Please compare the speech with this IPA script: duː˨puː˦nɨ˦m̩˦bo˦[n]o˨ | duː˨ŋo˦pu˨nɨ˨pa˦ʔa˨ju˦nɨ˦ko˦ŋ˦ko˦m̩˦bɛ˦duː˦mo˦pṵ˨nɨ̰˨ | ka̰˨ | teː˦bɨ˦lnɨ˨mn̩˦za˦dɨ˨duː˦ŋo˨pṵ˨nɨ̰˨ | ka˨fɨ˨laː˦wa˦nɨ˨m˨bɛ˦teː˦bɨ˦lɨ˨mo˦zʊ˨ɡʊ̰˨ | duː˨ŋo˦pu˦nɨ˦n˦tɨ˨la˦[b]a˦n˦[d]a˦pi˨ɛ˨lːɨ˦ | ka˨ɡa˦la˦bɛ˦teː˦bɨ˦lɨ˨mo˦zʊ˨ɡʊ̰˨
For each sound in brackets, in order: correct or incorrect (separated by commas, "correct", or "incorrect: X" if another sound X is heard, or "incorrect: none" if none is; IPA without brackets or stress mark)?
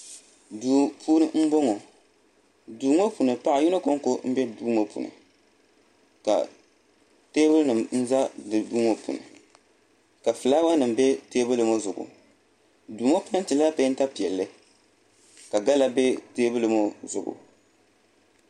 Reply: incorrect: ŋ, incorrect: p, incorrect: t